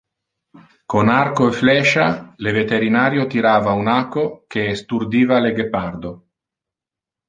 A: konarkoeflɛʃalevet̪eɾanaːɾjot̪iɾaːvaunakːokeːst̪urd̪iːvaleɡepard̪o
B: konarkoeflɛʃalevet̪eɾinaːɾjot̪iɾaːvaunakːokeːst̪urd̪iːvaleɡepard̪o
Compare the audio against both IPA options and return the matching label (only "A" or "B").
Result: B